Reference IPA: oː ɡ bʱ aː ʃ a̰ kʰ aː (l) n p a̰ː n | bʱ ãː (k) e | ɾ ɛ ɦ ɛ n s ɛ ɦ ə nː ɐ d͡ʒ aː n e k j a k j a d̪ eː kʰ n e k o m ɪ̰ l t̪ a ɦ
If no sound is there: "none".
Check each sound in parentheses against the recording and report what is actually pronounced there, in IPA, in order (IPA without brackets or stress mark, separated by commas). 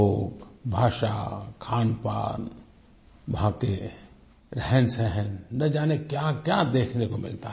none, k